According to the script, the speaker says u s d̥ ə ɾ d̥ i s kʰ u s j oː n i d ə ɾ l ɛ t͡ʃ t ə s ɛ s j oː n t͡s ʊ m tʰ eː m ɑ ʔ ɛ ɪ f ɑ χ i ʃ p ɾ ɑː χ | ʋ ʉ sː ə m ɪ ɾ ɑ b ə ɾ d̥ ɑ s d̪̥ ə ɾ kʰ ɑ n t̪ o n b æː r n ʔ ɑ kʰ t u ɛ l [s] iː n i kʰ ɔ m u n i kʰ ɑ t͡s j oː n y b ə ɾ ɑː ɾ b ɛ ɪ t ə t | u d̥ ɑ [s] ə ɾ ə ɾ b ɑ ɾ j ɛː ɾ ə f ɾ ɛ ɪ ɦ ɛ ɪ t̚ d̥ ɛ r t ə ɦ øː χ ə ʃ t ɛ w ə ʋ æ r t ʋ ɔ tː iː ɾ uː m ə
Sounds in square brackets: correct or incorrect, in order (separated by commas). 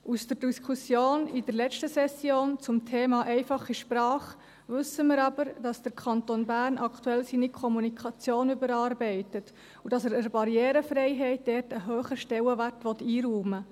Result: correct, correct